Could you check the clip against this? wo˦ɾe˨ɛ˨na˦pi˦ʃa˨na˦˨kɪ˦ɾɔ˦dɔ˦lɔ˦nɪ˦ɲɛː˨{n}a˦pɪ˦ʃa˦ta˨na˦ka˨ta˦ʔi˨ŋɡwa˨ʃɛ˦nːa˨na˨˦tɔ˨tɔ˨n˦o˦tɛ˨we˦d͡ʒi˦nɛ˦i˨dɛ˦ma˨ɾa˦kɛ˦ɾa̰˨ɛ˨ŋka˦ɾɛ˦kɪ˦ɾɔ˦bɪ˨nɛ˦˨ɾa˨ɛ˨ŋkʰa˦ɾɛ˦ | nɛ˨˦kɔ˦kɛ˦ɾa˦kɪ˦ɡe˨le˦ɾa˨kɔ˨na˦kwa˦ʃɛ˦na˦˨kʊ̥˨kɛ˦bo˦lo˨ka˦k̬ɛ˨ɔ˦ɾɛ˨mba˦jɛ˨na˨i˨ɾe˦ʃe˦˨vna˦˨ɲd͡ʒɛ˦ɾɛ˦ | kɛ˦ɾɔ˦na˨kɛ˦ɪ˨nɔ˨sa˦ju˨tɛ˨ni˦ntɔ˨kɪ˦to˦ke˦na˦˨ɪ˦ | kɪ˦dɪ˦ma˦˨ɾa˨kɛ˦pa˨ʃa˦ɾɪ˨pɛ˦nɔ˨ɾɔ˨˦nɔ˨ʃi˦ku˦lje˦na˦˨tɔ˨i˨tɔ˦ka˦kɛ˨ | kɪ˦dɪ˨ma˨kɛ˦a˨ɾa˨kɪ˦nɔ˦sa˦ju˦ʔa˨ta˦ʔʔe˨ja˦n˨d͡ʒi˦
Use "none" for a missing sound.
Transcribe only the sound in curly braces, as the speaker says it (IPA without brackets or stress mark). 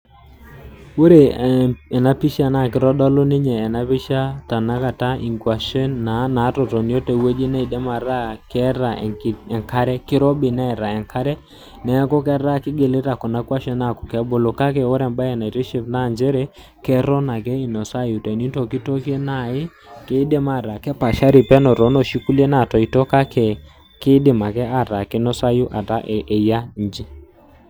n